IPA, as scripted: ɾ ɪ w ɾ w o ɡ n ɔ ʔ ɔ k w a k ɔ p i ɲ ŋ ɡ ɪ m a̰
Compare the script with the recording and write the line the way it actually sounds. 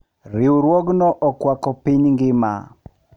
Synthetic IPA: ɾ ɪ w ɾ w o ɡ n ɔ ʔ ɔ k w a k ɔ p i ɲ ŋ ɡ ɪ m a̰